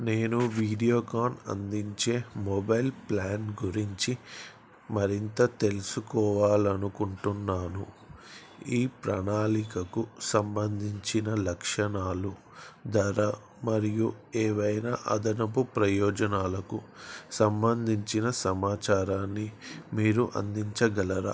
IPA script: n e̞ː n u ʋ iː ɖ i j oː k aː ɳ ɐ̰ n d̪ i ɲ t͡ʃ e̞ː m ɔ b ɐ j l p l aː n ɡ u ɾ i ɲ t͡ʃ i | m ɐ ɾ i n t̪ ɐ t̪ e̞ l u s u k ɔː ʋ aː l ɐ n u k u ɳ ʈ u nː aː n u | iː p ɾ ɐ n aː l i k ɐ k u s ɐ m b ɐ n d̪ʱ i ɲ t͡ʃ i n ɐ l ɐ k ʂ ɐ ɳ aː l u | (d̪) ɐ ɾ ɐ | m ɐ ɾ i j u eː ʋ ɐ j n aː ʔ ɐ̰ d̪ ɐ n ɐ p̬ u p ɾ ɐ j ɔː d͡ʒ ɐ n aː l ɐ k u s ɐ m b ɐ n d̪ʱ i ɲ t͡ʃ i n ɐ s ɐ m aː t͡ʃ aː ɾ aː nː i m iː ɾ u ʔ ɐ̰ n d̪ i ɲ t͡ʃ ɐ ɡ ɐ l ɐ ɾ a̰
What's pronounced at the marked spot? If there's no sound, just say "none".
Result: d̪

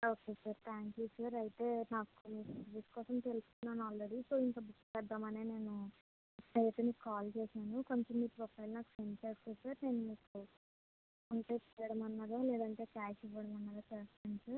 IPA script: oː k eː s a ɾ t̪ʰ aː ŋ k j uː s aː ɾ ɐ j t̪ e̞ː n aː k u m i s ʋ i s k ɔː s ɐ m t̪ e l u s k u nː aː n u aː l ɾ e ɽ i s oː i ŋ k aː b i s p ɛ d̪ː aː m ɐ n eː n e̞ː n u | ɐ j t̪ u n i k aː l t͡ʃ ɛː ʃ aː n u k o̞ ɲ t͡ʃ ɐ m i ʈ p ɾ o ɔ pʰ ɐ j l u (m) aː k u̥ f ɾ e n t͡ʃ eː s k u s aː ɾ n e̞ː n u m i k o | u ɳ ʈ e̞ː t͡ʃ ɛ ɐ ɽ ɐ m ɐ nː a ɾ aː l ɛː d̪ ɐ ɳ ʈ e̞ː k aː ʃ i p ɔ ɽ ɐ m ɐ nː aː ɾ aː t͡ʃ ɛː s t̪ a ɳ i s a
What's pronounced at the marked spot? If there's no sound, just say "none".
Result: n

